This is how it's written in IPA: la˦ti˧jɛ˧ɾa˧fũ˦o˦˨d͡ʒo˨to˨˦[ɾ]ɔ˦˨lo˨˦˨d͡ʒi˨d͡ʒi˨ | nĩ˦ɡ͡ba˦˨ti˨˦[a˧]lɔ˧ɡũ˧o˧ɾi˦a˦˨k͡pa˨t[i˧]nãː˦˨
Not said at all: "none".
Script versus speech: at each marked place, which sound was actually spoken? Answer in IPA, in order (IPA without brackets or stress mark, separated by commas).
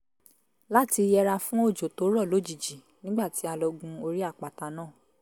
ɾ, a˧, a˧